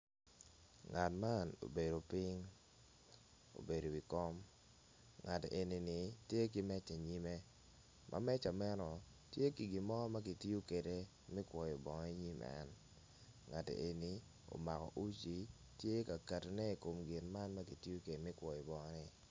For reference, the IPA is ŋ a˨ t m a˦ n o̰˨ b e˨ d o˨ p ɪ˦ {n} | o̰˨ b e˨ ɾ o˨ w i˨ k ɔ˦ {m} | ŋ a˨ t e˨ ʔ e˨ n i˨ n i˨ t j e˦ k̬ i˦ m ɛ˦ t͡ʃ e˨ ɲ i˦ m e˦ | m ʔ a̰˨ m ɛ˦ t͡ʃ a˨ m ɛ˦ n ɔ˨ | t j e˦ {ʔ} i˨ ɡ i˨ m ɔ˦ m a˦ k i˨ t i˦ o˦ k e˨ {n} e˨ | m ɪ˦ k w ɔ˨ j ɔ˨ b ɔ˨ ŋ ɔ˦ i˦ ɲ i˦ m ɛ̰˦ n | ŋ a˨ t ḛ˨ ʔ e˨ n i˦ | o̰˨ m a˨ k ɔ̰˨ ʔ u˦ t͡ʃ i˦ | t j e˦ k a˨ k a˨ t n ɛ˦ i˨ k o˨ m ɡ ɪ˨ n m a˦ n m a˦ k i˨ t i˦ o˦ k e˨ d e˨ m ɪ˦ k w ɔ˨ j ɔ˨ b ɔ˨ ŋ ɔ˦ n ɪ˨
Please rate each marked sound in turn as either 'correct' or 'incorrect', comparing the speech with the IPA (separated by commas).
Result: incorrect, correct, incorrect, incorrect